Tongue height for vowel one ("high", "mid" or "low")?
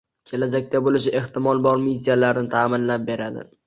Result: mid